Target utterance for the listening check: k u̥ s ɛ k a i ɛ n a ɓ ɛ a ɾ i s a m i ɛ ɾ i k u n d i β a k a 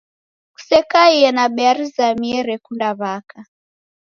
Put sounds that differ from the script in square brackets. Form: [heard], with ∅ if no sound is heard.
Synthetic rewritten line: k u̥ s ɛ k a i ɛ n a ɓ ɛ a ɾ i [z] a m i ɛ ɾ [ɛ] k u n d [a] β a k a